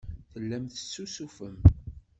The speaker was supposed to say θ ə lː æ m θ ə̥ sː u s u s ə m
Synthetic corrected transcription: θ ə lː æ m θ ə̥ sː u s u f ə m

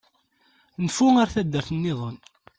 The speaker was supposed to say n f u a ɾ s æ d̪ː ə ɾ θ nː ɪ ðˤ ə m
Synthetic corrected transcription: n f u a ɾ θ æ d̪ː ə ɾ θ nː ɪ ðˤ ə n

